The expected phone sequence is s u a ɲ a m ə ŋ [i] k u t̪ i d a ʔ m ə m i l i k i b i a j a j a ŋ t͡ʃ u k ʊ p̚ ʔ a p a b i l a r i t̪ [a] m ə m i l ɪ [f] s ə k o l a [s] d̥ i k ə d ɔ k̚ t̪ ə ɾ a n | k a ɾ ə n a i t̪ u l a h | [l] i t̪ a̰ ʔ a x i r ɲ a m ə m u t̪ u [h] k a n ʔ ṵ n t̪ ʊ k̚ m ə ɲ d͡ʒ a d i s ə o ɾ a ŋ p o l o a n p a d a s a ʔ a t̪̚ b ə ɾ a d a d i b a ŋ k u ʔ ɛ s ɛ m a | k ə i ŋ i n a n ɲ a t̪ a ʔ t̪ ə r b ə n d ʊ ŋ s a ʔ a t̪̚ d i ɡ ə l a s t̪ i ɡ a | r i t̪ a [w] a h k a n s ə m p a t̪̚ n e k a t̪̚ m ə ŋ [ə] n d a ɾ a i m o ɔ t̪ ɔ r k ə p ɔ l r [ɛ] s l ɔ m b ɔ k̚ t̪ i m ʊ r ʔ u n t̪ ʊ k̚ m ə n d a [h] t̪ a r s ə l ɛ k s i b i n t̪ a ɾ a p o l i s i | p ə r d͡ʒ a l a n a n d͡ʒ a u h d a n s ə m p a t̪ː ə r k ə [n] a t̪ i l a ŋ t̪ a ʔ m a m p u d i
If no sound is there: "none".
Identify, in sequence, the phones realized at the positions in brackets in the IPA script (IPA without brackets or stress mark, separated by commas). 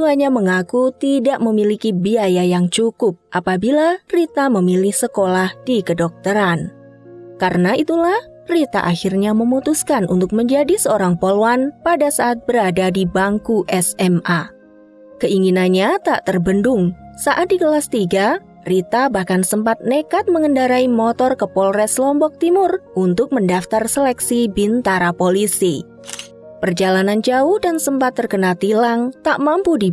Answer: a, a, h, h, r, s, b, ə, ɛ, f, n